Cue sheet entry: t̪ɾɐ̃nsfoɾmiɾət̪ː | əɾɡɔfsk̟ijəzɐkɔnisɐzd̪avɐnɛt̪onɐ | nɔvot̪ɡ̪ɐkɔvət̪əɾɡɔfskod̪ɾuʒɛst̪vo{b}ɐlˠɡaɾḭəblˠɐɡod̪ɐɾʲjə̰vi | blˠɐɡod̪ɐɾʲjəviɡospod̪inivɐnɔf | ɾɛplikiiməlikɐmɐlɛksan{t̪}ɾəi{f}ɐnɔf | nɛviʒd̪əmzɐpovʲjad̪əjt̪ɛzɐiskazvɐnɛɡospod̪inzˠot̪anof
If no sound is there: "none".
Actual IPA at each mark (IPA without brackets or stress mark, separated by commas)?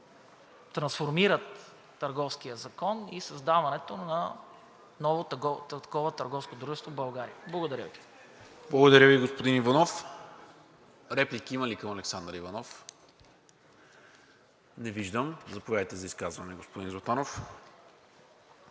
b, d̪, v